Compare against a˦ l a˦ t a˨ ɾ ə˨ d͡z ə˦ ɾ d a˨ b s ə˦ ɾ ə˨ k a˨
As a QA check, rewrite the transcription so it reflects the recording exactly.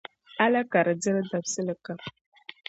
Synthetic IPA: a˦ l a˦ k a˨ ɾ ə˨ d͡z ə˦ ɾ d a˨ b s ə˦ l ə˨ k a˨